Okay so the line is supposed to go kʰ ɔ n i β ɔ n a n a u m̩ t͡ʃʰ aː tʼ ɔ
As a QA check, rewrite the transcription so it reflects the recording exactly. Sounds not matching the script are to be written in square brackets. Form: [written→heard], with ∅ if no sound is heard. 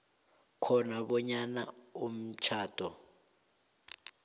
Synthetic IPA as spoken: kʰ ɔ n [i→a] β ɔ [n→ɲ] a n a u m̩ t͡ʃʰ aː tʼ ɔ